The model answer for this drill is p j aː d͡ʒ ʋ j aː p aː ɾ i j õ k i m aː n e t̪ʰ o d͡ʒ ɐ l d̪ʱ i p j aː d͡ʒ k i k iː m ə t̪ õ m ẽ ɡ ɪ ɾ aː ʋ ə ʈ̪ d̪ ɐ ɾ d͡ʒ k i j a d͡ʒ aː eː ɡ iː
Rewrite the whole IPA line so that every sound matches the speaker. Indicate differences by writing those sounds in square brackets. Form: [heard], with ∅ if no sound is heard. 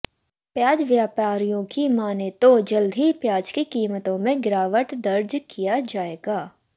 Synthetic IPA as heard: p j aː d͡ʒ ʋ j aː p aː ɾ i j õ k i m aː n e [t̪] o d͡ʒ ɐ l d̪ʱ i p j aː d͡ʒ k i k iː m ə t̪ õ m ẽ ɡ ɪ ɾ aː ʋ ə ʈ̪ d̪ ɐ ɾ d͡ʒ k i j a d͡ʒ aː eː ɡ [aː]